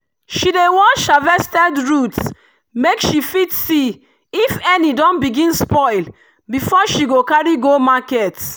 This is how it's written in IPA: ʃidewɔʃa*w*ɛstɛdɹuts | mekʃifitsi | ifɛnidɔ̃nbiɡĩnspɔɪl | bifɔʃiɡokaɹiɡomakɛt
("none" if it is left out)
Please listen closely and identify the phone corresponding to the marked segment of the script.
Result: v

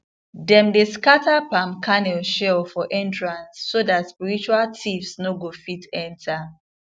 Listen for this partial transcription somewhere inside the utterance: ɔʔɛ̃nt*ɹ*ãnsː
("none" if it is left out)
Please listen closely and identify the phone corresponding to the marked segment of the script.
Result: ɹ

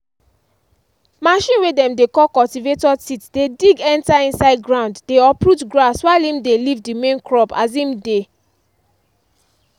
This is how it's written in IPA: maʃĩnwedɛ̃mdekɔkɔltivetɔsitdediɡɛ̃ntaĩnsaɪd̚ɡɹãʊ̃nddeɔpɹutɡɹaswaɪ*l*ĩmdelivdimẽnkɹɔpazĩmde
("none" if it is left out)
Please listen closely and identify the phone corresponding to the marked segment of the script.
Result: l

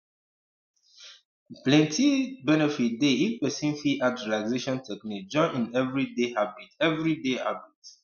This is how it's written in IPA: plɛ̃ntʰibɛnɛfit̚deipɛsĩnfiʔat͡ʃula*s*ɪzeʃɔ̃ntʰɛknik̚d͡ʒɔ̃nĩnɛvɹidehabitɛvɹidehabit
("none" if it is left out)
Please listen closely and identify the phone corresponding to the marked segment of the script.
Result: none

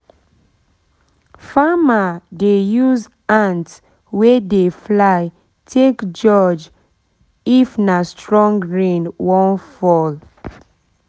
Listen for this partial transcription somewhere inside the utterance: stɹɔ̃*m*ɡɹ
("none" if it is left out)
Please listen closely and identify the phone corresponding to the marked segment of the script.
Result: ŋ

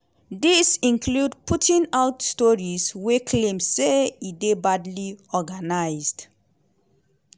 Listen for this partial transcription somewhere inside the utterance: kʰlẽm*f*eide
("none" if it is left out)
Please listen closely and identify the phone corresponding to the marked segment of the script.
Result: s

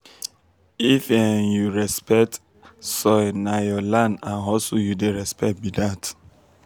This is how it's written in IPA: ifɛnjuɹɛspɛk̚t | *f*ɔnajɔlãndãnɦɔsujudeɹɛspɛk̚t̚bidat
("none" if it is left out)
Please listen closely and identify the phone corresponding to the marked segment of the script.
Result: s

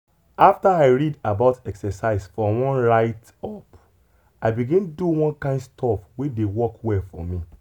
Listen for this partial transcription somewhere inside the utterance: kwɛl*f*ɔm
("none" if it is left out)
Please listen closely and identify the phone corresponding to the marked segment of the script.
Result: f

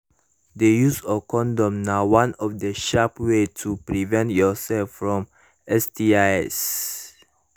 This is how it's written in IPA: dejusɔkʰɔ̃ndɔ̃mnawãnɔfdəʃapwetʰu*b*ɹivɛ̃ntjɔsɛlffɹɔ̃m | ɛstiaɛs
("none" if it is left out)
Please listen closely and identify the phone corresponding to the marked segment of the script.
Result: p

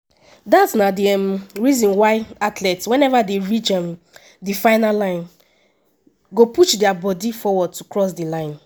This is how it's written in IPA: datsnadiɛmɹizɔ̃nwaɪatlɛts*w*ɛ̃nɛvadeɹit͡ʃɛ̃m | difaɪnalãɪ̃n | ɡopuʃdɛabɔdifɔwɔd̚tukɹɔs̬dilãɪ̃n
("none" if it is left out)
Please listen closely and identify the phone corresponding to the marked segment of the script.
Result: w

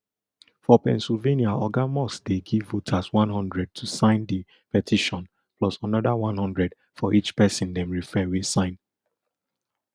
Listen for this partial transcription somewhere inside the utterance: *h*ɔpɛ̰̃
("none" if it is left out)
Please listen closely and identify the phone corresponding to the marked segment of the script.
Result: f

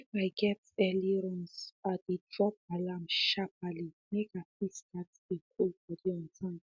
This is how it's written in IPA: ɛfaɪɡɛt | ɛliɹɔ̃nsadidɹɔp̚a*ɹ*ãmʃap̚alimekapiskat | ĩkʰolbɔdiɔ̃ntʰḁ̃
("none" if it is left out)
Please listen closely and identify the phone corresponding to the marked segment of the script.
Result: l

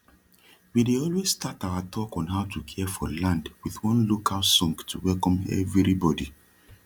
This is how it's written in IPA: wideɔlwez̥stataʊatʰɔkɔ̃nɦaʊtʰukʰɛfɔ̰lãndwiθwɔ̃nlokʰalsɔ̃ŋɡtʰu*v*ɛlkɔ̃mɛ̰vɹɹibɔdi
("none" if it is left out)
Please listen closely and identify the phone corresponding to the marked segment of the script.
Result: w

